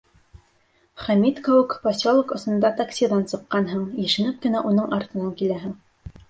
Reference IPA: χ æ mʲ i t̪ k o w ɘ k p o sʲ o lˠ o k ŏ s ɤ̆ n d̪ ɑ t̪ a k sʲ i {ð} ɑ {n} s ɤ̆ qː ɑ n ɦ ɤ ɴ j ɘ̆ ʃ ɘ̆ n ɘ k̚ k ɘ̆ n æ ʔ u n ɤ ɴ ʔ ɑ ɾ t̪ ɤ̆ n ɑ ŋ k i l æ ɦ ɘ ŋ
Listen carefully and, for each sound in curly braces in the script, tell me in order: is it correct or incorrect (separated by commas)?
correct, correct